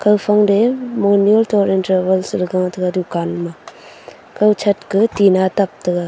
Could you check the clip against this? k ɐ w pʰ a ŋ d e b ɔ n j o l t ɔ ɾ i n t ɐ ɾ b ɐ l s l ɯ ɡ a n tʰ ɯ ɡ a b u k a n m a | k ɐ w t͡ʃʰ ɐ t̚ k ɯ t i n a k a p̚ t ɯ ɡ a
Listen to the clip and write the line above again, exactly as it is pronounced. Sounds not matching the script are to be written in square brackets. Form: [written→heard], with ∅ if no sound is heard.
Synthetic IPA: k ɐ w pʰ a ŋ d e [b→m] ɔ n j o l t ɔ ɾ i n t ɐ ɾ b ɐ l s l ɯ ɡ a [n→ŋ] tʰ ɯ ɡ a [b→d] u k a n m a | k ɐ w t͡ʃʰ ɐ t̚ k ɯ t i n a [k→t] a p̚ t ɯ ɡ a

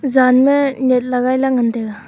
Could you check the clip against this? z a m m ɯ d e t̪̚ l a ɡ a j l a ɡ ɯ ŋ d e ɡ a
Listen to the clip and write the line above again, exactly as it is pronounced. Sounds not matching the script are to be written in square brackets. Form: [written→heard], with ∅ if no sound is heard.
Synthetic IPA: z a [m→n] m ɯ [d→n] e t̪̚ l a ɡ a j l a [ɡ→ŋ] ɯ [ŋ→n] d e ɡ a

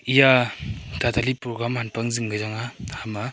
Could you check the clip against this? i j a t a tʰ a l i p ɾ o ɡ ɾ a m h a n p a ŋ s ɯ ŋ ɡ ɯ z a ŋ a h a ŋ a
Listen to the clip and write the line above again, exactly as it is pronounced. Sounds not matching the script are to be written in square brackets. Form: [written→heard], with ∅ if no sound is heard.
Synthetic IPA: i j a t a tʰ a l i p ɾ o ɡ ɾ a m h a n p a ŋ [s→z] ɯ ŋ ɡ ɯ z a ŋ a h a [ŋ→m] a

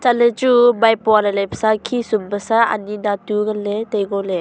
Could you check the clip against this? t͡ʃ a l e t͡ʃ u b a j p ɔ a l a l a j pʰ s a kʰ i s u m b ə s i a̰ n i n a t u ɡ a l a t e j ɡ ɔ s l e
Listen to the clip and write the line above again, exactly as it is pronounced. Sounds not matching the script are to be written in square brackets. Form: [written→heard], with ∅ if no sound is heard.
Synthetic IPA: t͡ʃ a l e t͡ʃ u b a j p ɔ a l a l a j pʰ s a kʰ i s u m b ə s [i→a] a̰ n i n a t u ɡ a l [a→e] t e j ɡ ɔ [s→∅] l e

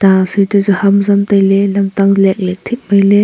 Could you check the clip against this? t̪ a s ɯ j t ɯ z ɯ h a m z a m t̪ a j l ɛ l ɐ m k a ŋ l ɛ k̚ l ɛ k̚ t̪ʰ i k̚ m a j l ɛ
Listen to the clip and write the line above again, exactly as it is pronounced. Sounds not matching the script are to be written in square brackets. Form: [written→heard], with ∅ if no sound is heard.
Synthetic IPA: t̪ a s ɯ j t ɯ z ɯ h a m z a m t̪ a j l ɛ l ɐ m [k→t] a ŋ l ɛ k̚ l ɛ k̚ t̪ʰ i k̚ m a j l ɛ

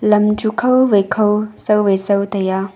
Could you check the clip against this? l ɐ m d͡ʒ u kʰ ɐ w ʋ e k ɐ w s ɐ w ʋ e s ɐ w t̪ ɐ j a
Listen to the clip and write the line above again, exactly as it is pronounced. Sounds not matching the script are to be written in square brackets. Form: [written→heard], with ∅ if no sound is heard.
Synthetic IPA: l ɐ m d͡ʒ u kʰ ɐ w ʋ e [k→kʰ] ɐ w s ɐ w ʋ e s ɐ w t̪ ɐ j a

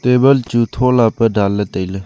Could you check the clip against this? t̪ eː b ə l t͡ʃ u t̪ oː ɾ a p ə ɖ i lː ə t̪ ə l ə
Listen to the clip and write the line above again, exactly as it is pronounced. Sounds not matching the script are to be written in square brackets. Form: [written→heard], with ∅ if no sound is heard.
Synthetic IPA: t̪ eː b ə l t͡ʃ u [t̪→t̪ʰ] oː [ɾ→l] a p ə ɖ [i→a] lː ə t̪ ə l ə

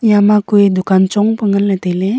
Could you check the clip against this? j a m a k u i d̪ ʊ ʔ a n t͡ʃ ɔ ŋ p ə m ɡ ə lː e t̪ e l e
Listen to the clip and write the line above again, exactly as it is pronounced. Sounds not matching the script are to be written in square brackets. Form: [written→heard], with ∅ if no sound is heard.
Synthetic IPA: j a m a k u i d̪ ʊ [ʔ→k] a n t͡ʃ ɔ ŋ p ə [m→ŋ] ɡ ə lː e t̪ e l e

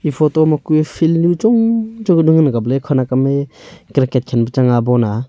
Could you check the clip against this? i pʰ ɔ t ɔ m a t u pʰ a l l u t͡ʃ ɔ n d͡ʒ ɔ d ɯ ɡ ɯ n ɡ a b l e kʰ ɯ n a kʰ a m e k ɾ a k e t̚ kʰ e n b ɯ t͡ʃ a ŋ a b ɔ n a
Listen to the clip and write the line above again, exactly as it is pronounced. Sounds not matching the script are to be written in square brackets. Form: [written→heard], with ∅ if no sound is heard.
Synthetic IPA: i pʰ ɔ t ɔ m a [t→k] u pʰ [a→i] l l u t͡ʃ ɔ [n→ŋ] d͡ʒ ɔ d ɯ [ɡ→ŋ] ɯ n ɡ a b l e kʰ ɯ n a [kʰ→k] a m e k ɾ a k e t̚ kʰ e n b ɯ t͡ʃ a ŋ a b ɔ n a

